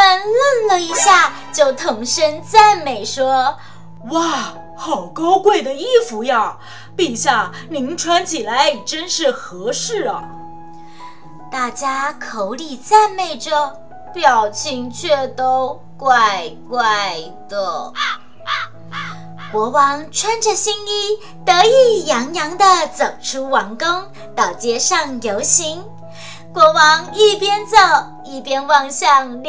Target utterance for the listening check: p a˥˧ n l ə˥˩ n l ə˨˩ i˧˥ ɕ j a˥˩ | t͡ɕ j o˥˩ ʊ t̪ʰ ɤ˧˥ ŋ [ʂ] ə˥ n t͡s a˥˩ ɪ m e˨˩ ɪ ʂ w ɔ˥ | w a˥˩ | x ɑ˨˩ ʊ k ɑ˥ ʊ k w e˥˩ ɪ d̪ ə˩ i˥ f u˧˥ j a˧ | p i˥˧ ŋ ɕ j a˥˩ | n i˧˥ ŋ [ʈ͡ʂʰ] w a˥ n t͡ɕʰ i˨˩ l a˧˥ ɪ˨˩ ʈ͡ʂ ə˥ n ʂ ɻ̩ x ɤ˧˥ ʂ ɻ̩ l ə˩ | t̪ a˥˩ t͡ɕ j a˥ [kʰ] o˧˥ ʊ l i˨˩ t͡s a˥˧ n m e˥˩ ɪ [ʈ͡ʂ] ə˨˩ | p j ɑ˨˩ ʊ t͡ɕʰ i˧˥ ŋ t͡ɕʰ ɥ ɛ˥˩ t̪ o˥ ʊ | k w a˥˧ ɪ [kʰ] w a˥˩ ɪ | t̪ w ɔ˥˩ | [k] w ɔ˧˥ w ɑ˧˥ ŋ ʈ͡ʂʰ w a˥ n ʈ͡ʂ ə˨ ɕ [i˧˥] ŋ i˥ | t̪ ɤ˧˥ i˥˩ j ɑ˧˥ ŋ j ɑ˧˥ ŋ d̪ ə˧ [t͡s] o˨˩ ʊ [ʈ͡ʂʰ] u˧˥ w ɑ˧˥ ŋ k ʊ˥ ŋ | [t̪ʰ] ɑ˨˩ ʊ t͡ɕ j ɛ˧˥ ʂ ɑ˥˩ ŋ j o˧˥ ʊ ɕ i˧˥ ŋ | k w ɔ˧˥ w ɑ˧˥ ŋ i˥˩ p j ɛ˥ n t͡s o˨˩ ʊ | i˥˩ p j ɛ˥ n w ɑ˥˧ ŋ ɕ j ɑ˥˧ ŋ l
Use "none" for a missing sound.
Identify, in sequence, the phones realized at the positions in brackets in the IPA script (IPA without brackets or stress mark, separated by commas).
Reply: ʂ, ʈ͡ʂʰ, kʰ, ʈ͡ʂ, k, k, i˥, t͡s, ʈ͡ʂʰ, t̪